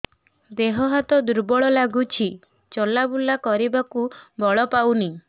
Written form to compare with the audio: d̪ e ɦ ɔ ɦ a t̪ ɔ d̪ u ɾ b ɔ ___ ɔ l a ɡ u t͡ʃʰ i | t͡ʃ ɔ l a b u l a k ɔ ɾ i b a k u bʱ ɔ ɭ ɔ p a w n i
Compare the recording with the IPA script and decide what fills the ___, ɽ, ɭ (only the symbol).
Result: ɭ